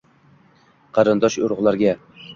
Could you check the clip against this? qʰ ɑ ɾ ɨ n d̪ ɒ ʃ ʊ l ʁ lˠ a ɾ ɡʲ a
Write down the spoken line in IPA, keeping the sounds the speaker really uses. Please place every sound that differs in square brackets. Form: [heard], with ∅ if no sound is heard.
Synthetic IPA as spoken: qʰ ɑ ɾ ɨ n d̪ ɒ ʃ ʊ [ɾ] ʁ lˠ a ɾ ɡʲ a